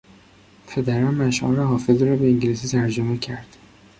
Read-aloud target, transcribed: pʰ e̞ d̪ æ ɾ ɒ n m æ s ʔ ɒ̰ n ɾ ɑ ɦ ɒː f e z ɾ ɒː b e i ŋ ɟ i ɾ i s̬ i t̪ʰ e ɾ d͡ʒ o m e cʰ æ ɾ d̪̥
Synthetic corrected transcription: pʰ e̞ d̪ æ ɾ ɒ n m æ ʃ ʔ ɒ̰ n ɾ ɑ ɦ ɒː f e z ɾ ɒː b e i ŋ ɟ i l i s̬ i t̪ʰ æ ɾ d͡ʒ o m e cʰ æ ɾ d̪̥